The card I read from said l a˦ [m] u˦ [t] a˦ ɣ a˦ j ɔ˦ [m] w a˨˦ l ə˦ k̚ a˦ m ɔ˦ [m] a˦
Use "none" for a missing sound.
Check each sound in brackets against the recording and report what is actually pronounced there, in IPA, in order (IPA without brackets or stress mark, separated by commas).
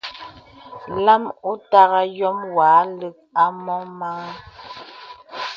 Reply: m, t, m, m